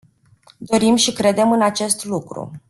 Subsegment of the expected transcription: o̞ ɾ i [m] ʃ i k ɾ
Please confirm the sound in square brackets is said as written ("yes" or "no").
yes